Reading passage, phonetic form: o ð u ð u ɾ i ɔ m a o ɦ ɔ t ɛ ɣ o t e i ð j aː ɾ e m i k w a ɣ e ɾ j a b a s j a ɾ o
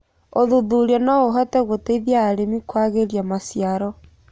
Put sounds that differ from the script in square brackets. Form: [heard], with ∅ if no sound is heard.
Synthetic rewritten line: o ð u ð u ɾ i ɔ [n] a o ɦ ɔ t ɛ ɣ o t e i ð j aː ɾ e m i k w a ɣ e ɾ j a [m] a s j a ɾ [ɔ]

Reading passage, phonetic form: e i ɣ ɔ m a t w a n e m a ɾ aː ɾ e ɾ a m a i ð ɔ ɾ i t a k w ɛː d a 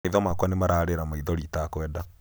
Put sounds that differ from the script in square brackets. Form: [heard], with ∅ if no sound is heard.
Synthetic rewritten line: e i [ð] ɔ m a [k] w a n e m a ɾ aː ɾ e ɾ a m a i ð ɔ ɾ i t a k w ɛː d a

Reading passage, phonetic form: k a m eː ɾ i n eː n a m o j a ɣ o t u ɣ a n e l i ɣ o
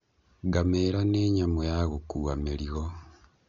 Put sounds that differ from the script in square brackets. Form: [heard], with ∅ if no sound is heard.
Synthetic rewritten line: [ɡ] a m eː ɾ [a] n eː [ɲ] a m o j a ɣ o [k] u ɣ a [m] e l i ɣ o

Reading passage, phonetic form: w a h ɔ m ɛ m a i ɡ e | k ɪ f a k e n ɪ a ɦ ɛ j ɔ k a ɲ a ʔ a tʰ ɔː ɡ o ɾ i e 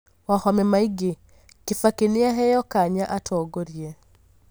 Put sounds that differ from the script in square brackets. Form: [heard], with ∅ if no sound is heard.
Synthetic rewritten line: w a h ɔ m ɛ m a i ɡ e | k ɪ f a k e n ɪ a ɦ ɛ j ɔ k a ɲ a ʔ a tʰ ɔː ɡ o ɾ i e

